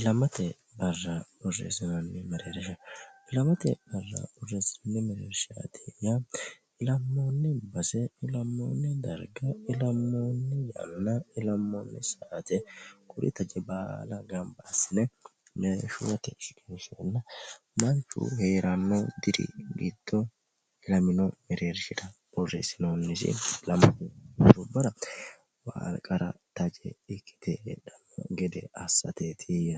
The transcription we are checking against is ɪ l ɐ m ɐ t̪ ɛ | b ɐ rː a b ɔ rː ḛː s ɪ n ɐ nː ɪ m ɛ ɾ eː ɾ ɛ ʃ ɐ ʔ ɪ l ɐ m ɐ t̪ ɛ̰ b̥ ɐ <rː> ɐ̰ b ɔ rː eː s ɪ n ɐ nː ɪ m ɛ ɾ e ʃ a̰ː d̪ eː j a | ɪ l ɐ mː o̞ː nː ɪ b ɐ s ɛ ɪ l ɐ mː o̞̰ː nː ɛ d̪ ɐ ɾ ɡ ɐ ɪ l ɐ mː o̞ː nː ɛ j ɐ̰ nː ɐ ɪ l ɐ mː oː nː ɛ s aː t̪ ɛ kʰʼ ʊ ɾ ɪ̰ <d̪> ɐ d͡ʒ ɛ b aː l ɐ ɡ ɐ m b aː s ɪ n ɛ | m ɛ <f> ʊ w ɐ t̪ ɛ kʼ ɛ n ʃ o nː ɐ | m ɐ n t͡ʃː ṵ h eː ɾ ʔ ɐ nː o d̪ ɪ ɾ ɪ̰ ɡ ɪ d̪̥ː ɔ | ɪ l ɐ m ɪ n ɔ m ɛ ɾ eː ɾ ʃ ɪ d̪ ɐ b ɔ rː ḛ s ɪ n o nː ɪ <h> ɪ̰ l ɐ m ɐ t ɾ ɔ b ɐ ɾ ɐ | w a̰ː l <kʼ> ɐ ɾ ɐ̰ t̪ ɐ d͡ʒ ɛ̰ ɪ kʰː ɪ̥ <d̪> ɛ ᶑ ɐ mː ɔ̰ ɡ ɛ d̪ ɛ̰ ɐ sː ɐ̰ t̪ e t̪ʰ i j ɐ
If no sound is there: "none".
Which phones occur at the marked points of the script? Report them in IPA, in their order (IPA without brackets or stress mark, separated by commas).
rː, t̪, ʃ, s, kʼ, t̪